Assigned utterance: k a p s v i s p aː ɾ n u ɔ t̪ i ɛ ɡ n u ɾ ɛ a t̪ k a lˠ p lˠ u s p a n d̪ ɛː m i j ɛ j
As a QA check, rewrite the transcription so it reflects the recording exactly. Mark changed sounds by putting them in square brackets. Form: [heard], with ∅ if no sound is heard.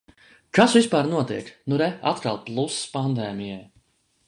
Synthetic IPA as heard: k a [∅] s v i s p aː ɾ n u ɔ t̪ i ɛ [k] n u ɾ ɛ a t̪ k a lˠ p lˠ u s p a n d̪ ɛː m i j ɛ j